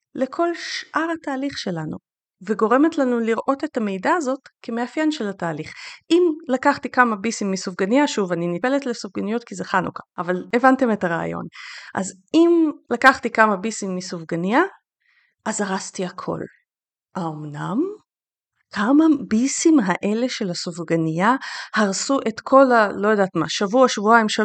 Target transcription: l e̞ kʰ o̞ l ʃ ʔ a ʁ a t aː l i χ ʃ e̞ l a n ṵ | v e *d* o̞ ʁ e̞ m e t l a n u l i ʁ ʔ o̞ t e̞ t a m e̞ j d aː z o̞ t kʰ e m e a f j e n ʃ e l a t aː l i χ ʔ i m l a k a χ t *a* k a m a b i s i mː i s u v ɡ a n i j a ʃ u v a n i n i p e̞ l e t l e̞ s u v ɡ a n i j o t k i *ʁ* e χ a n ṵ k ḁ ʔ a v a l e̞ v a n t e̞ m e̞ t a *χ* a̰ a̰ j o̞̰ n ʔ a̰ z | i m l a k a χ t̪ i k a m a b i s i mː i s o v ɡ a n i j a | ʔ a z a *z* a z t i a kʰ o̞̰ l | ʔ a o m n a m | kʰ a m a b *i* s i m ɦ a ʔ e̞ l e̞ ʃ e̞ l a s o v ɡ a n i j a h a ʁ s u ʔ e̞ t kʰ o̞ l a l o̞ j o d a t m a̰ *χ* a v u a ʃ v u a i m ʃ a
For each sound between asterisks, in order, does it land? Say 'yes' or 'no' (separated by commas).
no, no, no, no, no, yes, no